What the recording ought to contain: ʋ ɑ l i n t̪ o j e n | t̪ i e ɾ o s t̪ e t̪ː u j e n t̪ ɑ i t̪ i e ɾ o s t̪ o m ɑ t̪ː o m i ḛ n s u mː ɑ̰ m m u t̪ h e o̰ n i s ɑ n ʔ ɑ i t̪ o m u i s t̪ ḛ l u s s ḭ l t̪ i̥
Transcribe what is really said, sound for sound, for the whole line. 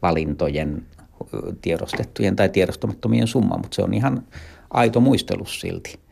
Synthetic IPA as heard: ʋ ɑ l i n t̪ o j e n | t̪ i e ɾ o s t̪ e t̪ː u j e n t̪ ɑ i t̪ i e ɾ o s t̪ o m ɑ t̪ː o m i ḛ n s u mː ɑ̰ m m u t̪ s e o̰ n i h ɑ n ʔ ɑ i t̪ o m u i s t̪ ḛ l u s s ḭ l t̪ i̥